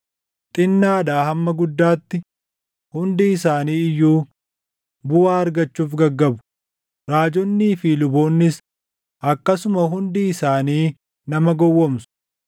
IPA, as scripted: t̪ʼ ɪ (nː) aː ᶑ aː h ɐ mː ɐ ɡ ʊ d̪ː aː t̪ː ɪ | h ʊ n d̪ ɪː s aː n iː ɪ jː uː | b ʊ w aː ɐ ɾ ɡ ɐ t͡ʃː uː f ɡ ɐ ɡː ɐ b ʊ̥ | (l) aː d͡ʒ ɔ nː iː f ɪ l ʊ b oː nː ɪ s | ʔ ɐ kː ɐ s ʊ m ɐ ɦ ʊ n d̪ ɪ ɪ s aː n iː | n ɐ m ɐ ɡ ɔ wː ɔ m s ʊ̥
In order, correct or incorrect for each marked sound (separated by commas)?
correct, incorrect